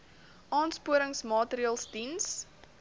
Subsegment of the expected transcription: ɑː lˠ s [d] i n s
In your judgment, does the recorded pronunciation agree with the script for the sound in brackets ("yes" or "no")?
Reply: yes